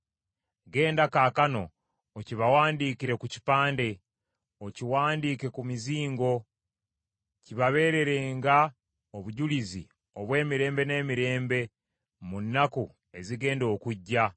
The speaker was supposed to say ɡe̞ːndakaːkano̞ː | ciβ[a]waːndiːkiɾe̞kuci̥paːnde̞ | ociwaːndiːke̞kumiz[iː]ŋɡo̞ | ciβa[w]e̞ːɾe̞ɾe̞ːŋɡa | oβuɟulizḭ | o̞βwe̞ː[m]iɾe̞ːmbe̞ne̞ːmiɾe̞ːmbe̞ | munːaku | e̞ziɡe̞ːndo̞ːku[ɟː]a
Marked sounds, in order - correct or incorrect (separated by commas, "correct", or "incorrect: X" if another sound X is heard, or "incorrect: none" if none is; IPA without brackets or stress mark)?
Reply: correct, correct, incorrect: β, correct, correct